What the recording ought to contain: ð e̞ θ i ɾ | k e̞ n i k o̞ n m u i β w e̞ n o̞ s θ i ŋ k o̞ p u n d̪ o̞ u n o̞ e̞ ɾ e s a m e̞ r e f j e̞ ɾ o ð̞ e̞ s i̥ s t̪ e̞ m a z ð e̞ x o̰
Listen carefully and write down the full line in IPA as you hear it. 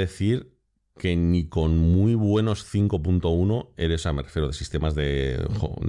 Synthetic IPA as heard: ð e̞ θ i ɾ | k e̞ n i k o̞ n m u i β w e̞ n o̞ s θ i ŋ k o̞ p u n t̪ o̞ u n o̞ e̞ ɾ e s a m e̞ r e f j e̞ ɾ o ð̞ e̞ s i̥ s t̪ e̞ m a z ð e̞ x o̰